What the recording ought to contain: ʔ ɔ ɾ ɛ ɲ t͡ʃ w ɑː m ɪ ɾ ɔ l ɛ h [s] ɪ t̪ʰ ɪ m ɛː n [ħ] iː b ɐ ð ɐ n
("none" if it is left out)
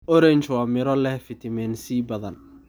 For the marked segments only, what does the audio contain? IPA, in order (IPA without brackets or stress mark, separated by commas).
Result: f, s